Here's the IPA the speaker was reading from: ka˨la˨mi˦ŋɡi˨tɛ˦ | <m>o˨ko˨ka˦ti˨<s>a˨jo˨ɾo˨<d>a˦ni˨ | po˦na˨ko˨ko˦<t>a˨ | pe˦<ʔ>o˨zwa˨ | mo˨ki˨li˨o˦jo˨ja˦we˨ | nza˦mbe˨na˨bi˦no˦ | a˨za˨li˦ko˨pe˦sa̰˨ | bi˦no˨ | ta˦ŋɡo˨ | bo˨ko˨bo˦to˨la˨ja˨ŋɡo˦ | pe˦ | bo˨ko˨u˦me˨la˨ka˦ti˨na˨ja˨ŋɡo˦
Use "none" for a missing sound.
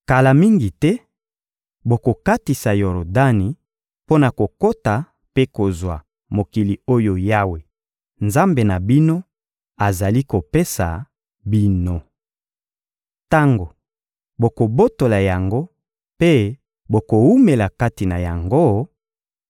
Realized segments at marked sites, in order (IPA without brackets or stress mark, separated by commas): b, s, d, t, k